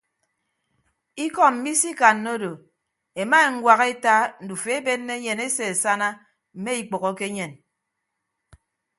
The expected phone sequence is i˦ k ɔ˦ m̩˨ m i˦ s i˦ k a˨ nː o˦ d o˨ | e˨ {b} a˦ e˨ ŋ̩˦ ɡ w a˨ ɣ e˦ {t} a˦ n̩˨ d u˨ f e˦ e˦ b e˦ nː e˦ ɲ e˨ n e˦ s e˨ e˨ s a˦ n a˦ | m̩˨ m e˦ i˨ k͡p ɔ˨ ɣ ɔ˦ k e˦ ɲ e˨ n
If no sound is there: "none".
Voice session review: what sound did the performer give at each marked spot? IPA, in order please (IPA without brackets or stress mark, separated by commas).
m, t